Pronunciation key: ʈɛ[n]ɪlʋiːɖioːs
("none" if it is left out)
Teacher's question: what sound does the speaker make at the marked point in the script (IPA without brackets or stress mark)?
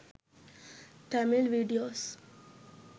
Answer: m